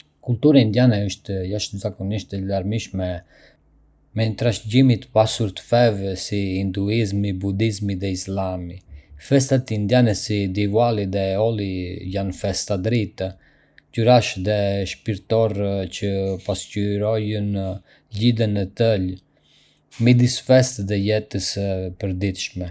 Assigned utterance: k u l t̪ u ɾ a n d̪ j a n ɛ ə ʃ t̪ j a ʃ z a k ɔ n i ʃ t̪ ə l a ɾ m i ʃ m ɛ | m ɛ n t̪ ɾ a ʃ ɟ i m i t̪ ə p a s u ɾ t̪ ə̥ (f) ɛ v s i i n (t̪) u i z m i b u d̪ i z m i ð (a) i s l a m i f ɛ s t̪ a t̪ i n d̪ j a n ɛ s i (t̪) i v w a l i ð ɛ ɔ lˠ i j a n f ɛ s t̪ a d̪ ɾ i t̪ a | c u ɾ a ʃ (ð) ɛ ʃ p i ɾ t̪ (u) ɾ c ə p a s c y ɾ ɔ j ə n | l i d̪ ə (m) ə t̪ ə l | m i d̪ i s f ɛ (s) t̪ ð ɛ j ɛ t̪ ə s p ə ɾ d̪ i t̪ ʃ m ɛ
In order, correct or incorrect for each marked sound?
correct, incorrect: d̪, incorrect: ɛ, incorrect: d̪, correct, incorrect: ɔ, incorrect: n, correct

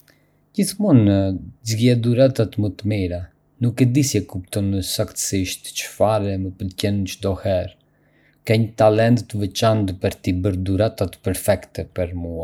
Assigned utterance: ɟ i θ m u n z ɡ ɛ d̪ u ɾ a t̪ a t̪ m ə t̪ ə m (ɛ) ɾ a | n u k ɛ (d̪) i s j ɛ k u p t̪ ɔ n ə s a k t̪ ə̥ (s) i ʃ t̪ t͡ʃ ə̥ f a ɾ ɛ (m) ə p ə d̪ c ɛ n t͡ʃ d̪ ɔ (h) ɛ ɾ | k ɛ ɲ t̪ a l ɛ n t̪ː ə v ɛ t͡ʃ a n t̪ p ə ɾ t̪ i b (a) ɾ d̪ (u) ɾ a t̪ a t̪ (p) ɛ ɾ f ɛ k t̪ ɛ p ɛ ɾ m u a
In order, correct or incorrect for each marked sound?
incorrect: i, correct, correct, correct, correct, incorrect: ə, correct, correct

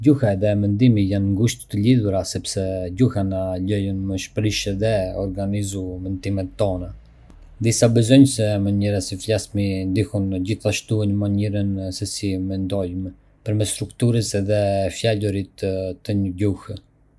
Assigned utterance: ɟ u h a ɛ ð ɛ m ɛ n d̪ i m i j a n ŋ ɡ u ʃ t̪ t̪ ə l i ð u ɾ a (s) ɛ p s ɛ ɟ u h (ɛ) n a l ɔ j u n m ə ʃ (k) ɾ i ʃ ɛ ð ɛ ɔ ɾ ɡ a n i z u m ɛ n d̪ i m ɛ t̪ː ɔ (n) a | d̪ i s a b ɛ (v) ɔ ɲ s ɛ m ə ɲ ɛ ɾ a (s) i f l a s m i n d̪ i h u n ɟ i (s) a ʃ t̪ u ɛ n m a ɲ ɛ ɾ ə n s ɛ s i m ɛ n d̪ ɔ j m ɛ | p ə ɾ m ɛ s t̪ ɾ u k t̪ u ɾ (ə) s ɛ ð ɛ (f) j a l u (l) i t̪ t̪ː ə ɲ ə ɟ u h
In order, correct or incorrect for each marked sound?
correct, incorrect: a, incorrect: p, correct, incorrect: z, correct, incorrect: θ, correct, correct, incorrect: ɾ

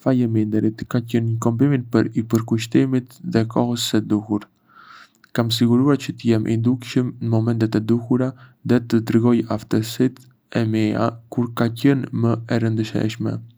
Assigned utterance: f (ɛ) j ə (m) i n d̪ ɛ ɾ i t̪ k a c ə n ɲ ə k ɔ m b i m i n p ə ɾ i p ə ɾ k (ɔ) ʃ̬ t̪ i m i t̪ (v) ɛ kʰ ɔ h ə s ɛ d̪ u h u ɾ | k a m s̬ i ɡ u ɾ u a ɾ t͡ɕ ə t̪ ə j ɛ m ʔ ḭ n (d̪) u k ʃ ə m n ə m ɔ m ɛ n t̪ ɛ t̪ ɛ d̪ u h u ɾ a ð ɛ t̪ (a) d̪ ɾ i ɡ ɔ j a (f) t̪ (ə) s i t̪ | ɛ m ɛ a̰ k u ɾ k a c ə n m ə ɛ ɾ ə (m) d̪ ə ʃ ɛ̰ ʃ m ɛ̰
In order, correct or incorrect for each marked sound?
incorrect: a, correct, incorrect: u, incorrect: ð, correct, incorrect: ə, correct, correct, incorrect: n

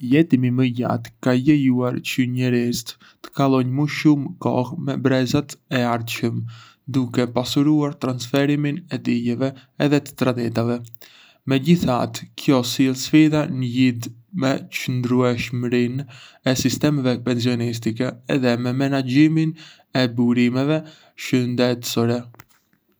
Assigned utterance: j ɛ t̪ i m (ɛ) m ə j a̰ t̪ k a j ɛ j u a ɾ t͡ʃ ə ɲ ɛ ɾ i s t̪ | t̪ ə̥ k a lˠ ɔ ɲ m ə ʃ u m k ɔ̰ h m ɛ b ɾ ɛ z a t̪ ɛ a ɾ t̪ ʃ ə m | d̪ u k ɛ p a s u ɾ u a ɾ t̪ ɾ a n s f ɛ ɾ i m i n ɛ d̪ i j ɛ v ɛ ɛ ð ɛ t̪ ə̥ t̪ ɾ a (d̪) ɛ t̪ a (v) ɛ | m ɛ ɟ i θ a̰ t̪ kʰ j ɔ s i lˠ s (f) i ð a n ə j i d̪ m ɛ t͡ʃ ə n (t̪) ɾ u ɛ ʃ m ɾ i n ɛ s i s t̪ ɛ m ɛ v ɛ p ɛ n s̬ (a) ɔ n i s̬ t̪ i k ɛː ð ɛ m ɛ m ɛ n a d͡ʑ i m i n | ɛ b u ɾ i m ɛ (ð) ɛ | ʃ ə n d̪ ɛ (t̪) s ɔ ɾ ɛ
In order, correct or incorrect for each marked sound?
incorrect: i, correct, correct, correct, incorrect: d̪, incorrect: i, incorrect: v, correct

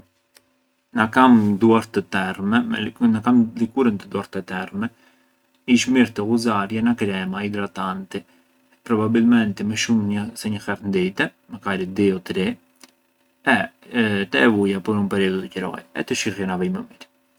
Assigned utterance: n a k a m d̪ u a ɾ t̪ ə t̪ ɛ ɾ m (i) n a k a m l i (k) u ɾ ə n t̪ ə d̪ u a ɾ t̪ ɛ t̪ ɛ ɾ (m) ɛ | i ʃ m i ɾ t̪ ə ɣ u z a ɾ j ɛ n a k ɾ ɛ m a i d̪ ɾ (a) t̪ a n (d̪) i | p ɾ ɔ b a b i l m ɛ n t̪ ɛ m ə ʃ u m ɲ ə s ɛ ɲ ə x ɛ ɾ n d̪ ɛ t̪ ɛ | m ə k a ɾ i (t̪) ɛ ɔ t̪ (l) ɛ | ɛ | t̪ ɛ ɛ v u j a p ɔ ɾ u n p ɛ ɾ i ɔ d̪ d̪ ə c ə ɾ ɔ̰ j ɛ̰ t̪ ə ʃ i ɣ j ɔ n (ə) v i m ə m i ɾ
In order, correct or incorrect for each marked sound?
incorrect: ɛ, correct, correct, correct, incorrect: t̪, incorrect: d̪, incorrect: ɾ, incorrect: a

